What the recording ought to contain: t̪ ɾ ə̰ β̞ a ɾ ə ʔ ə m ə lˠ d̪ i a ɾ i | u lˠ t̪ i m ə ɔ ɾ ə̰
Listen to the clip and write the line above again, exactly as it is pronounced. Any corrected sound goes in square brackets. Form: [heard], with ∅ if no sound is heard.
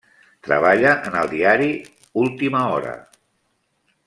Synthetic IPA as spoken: t̪ ɾ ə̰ β̞ a [ʎ] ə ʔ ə [n] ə lˠ d̪ i a ɾ i | u lˠ t̪ i m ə ɔ ɾ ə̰